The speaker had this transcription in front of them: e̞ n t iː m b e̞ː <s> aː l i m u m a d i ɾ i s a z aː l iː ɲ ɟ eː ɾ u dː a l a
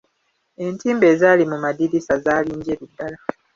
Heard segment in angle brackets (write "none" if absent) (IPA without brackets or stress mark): z